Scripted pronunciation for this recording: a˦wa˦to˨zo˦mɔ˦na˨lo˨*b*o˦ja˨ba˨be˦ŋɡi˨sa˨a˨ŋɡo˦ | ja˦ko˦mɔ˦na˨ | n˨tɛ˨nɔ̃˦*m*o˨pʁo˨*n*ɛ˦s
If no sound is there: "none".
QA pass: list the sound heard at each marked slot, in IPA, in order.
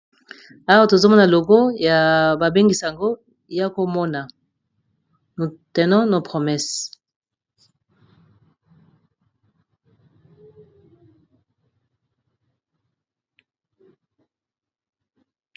ɡ, n, m

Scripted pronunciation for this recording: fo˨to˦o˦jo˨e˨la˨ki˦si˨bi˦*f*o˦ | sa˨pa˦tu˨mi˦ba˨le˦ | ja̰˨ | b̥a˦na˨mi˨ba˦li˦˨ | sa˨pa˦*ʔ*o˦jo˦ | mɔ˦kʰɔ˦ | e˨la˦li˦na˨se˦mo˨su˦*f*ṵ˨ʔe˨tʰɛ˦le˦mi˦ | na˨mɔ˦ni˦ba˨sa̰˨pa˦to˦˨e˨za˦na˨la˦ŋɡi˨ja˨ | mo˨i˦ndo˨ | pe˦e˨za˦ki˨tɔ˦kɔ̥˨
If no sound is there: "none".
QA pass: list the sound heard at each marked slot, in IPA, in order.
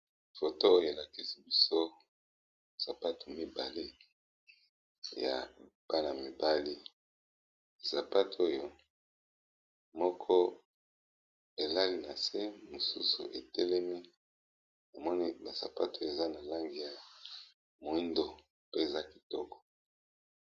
s, t, s

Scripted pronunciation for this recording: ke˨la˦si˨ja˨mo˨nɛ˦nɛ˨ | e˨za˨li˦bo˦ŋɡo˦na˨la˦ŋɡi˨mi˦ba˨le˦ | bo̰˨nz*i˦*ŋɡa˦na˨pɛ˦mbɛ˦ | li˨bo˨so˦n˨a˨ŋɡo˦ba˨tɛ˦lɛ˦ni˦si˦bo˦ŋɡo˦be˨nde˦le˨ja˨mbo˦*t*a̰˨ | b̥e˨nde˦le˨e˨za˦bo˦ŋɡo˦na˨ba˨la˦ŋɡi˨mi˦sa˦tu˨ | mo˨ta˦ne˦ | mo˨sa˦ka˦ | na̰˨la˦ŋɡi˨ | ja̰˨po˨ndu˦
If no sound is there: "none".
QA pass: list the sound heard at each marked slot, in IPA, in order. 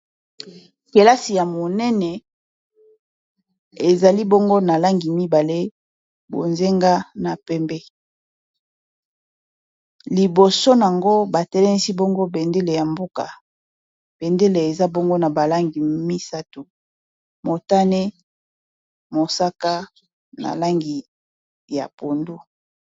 e˦, k

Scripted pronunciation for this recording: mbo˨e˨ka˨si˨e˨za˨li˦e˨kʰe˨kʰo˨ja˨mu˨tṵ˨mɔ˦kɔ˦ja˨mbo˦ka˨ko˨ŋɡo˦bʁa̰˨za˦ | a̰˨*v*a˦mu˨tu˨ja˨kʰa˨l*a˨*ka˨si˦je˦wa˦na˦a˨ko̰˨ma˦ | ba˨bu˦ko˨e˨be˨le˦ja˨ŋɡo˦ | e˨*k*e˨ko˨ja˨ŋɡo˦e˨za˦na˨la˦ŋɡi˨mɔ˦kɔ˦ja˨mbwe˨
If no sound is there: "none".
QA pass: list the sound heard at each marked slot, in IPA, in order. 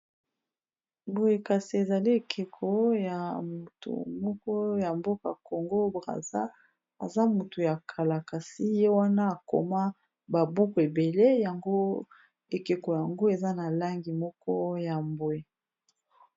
z, a˨, k

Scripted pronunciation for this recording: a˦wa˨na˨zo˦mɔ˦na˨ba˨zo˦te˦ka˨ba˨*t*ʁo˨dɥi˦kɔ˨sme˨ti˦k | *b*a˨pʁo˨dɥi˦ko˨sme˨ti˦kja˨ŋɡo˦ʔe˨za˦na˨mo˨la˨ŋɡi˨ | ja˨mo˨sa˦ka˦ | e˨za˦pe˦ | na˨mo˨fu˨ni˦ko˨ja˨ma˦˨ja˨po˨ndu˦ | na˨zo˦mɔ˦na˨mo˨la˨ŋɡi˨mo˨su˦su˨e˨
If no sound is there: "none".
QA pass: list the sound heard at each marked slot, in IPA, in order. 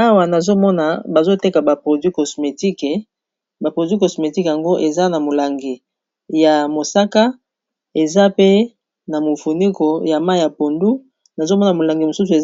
p, b

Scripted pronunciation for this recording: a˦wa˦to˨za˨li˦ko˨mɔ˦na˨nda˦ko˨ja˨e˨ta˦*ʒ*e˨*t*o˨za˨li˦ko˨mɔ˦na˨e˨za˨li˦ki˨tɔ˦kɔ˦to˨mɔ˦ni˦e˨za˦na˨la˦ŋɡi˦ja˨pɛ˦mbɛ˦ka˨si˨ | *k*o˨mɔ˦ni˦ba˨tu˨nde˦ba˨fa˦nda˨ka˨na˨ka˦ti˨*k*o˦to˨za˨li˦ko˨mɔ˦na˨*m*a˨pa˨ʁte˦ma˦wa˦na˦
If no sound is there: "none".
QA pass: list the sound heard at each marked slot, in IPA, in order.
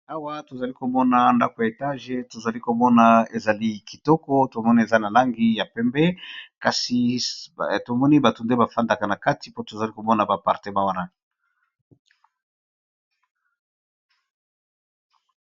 ʒ, t, t, p, b

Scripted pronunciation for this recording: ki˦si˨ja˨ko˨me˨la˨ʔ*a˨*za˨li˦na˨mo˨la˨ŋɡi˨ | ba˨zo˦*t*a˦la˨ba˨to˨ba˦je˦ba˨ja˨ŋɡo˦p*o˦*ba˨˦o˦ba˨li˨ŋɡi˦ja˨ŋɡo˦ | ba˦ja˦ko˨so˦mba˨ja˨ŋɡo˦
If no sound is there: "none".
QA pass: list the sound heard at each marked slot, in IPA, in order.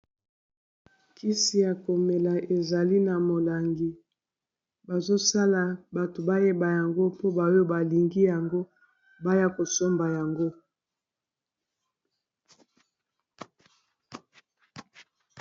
e˨, s, o˦

